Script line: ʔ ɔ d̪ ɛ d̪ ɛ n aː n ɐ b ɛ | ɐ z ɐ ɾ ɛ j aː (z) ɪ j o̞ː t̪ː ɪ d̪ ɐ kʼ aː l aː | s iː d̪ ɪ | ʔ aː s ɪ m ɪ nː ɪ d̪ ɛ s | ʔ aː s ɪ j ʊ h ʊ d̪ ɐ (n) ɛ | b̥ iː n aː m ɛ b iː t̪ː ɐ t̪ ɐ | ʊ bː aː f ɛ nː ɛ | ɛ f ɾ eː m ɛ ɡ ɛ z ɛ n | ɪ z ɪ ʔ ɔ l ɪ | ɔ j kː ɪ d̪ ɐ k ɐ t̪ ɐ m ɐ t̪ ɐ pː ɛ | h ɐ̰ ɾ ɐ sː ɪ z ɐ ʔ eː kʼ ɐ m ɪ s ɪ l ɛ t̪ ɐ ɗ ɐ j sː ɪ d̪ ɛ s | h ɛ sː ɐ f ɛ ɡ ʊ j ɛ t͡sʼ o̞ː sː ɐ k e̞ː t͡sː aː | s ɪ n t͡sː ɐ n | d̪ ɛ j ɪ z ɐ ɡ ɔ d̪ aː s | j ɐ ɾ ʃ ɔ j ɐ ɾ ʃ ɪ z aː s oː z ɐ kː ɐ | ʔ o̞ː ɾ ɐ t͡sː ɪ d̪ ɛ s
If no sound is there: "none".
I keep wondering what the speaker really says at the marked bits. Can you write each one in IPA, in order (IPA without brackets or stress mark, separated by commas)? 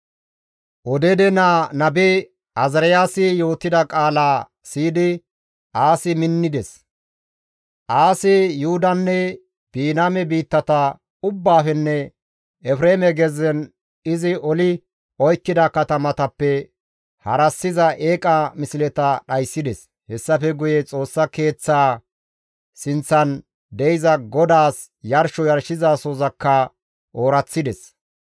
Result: s, nː